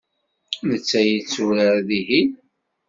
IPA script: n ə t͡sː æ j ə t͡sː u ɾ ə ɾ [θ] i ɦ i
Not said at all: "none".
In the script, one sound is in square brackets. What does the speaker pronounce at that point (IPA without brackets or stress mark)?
ð